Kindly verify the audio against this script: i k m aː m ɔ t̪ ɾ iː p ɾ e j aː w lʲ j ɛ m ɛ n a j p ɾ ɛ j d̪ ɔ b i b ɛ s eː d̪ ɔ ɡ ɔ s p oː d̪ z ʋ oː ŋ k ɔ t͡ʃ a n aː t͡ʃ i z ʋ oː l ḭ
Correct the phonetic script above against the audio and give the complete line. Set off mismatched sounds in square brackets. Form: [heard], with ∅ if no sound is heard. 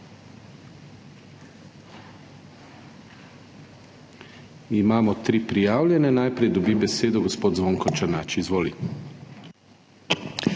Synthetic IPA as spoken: i [∅] m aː m ɔ t̪ ɾ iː p ɾ [i] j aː w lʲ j ɛ [n] ɛ n a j p ɾ ɛ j d̪ ɔ b i b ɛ s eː d̪ ɔ ɡ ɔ s p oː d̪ z ʋ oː ŋ k ɔ t͡ʃ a n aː t͡ʃ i z ʋ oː l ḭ